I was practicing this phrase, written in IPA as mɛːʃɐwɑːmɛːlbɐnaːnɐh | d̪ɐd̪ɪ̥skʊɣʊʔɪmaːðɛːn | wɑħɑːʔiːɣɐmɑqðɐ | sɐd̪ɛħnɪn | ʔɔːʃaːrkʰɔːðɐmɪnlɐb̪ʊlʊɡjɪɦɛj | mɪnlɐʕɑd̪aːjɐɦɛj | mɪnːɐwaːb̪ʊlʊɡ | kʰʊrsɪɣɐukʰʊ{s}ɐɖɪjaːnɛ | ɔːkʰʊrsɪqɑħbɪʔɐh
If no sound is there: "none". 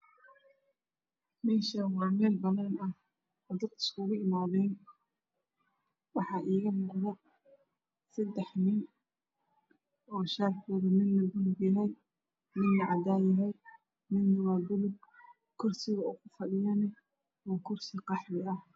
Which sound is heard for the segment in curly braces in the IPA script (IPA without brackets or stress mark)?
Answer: f